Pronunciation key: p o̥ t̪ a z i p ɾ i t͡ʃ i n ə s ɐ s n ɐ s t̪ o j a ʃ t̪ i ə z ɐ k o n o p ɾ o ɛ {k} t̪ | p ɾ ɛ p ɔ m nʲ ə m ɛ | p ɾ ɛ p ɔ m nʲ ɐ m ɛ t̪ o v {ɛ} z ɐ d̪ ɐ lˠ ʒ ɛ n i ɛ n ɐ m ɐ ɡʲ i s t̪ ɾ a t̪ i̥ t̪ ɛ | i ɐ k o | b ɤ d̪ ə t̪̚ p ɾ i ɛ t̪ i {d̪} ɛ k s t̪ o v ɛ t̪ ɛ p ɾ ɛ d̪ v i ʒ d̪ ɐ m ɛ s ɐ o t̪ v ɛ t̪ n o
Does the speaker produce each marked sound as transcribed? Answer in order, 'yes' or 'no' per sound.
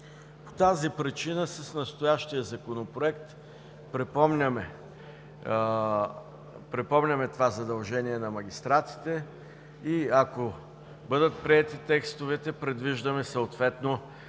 yes, no, no

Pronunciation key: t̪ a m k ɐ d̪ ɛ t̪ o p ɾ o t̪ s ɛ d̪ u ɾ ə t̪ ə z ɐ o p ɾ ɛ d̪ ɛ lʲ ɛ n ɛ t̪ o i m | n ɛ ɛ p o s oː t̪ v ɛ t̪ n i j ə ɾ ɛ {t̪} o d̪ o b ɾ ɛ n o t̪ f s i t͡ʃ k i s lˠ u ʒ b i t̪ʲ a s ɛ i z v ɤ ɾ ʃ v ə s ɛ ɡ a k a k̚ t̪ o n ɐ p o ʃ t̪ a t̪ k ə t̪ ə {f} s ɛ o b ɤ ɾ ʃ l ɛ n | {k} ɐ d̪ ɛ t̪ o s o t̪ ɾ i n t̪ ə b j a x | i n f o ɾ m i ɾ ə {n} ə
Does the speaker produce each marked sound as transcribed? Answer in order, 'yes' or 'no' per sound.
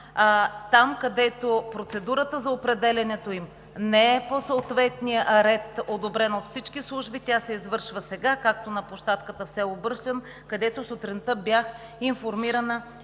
yes, yes, yes, yes

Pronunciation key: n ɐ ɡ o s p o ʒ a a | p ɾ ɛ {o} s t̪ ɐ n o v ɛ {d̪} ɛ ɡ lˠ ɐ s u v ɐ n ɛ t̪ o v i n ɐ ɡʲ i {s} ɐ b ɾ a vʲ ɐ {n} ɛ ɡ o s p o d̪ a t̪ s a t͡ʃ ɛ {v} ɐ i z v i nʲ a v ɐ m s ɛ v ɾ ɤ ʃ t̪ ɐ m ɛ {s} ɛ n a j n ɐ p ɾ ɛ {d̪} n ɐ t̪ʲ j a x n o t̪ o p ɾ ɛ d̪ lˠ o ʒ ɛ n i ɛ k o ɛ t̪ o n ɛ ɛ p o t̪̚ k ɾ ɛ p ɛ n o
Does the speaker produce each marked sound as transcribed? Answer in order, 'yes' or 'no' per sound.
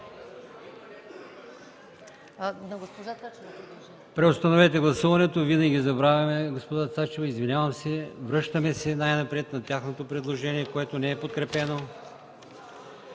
yes, no, no, no, yes, yes, no

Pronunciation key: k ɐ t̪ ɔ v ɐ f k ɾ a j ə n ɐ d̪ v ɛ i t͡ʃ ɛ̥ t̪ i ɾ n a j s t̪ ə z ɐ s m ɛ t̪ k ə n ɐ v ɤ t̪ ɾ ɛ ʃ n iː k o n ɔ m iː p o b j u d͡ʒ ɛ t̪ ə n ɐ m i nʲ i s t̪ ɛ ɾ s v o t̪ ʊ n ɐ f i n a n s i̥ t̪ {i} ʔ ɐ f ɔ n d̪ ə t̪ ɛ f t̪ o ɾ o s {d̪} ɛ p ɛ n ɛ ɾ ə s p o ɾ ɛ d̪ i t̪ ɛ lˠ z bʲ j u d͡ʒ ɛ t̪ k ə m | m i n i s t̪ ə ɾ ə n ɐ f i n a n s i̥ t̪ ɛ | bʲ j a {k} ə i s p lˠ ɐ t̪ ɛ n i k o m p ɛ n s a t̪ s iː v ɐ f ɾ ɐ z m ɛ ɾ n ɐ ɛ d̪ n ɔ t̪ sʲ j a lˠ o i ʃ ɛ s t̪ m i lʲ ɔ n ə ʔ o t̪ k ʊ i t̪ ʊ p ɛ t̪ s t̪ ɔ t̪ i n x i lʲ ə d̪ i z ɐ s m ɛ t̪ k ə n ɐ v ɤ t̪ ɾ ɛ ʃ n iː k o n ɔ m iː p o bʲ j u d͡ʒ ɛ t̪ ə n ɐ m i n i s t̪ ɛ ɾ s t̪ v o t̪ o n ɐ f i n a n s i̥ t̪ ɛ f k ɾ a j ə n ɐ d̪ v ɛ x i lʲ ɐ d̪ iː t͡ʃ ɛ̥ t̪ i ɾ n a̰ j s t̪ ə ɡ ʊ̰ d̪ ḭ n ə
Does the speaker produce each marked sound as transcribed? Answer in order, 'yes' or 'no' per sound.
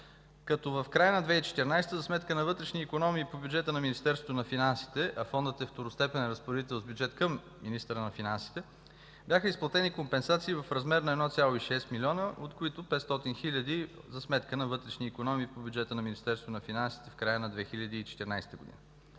no, no, no

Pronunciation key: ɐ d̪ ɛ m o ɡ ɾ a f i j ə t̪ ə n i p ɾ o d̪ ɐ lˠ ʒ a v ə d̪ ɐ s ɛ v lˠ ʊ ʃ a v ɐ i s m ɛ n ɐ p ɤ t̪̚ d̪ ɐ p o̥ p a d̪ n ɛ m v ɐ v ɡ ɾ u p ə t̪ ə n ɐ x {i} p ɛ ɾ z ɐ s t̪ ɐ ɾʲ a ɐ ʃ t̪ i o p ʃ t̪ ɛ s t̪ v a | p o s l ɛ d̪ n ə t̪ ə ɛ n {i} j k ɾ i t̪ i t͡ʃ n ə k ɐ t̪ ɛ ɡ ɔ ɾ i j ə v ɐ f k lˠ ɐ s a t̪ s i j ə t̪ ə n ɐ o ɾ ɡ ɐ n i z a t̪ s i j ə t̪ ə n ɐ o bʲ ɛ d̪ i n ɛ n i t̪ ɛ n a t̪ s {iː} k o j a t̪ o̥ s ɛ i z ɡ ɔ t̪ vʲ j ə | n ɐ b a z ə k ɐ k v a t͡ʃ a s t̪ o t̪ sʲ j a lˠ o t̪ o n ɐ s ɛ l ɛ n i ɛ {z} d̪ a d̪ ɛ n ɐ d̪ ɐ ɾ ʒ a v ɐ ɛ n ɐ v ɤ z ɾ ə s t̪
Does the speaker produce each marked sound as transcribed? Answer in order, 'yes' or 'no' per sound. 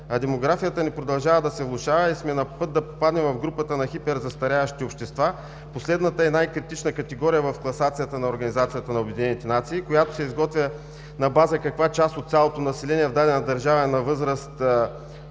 yes, no, yes, no

